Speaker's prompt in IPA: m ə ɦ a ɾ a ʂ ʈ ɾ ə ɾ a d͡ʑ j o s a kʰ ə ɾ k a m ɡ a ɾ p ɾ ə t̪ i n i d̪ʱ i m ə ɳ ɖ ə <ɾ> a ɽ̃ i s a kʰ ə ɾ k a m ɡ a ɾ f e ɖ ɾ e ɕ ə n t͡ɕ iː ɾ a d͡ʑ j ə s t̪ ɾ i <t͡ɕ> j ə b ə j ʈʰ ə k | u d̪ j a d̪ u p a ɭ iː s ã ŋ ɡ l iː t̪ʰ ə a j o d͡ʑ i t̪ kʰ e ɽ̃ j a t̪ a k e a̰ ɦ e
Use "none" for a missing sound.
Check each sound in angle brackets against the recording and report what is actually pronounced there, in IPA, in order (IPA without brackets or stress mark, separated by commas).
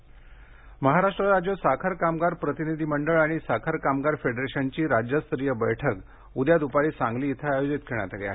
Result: ɭ, none